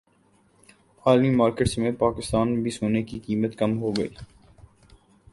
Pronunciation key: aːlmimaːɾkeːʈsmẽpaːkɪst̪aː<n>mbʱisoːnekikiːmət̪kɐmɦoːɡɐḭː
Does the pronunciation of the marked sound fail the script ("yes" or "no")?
no